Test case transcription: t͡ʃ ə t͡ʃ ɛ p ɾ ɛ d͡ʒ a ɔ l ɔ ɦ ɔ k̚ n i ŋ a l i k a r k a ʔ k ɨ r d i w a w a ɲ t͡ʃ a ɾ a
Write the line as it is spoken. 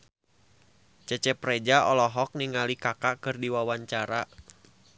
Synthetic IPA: t͡ʃ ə t͡ʃ ɛ p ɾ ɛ d͡ʒ a ɔ l ɔ ɦ ɔ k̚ n i ŋ a l i k a k a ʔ k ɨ r d i w a w a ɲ t͡ʃ a ɾ a

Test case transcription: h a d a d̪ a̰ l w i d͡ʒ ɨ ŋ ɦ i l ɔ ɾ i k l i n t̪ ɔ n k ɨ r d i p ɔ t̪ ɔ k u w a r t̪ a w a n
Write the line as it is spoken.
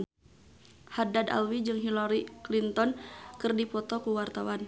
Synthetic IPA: h a d a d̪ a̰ l w i d͡ʒ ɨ ŋ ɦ i l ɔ ɾ i k l i n t̪ ɔ n k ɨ r d i p ɔ t̪ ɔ k u w a r t̪ a w a n

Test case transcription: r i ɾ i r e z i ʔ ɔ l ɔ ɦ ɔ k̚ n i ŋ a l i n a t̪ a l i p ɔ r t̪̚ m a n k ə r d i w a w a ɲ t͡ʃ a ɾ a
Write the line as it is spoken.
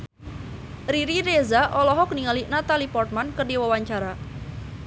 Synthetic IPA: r i ɾ i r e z a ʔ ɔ l ɔ ɦ ɔ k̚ n i ŋ a l i n a t̪ a l i p ɔ r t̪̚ m a n k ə r d i w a w a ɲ t͡ʃ a ɾ a

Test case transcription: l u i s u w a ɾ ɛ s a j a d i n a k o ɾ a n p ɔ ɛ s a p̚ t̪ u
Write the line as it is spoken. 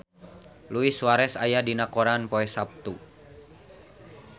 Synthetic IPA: l u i s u w a ɾ ɛ s a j a d i n a k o ɾ a n p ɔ ɛ s a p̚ t̪ u

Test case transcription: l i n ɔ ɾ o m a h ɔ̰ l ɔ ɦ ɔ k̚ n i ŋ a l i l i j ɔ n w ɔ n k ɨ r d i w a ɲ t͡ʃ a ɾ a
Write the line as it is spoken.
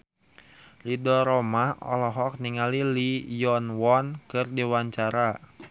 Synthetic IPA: l i d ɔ ɾ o m a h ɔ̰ l ɔ ɦ ɔ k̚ n i ŋ a l i l i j ɔ n w ɔ n k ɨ r d i w a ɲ t͡ʃ a ɾ a

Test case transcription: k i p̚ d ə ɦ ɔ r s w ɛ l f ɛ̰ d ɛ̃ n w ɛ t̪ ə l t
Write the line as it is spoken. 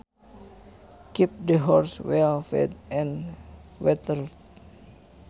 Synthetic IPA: k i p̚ d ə ɦ ɔ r s w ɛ l f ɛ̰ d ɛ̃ n w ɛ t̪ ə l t

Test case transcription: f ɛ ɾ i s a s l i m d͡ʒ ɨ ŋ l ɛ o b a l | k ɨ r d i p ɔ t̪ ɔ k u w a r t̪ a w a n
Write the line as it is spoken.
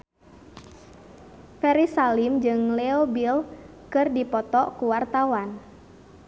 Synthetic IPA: f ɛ ɾ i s a l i m d͡ʒ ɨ ŋ l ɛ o b i l | k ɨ r d i p ɔ t̪ ɔ k u w a r t̪ a w a n

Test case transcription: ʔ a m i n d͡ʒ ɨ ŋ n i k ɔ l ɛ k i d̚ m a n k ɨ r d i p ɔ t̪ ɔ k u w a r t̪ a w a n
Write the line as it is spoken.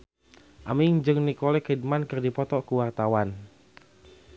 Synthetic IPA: ʔ a m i ŋ d͡ʒ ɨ ŋ n i k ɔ l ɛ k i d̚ m a n k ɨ r d i p ɔ t̪ ɔ k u w a r t̪ a w a n

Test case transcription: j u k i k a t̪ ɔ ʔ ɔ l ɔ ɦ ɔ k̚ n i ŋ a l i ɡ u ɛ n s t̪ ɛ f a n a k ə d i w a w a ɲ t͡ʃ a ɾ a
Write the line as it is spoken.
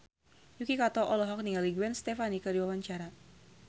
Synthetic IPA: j u k i k a t̪ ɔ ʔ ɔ l ɔ ɦ ɔ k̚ n i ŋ a l i ɡ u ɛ n s t̪ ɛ f a n i k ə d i w a w a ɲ t͡ʃ a ɾ a

